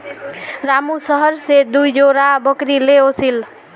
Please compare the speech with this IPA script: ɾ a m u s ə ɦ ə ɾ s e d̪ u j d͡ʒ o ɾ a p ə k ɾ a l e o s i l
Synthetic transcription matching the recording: ɾ a m u s ə ɦ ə ɾ s e d̪ u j d͡ʒ o ɾ a b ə k ɾ i l e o s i l